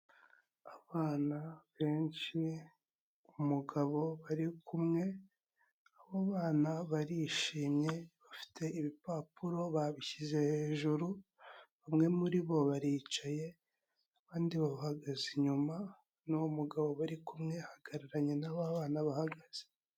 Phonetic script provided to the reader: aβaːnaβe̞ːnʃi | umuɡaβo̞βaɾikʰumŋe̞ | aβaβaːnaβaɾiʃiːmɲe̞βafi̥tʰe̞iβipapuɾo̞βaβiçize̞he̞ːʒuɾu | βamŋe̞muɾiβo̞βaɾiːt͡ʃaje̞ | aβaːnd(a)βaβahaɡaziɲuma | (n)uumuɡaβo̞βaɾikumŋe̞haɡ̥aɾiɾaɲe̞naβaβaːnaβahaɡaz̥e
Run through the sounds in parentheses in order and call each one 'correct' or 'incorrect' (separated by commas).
incorrect, correct